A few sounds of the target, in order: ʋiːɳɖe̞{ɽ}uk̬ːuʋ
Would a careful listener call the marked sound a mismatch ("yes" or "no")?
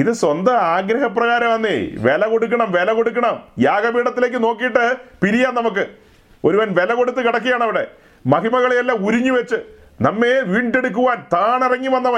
no